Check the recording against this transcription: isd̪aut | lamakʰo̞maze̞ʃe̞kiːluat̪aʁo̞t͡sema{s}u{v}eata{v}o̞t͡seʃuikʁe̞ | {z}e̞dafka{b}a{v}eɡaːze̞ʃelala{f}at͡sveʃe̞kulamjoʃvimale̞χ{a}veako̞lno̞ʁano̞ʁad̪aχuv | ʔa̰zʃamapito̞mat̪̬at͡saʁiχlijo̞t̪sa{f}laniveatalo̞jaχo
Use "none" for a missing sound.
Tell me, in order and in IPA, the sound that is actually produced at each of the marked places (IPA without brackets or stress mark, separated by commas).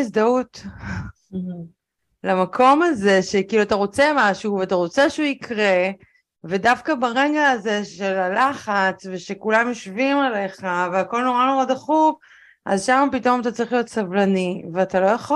ʃ, v, ʁ, v, b, ʁ, χ, a, v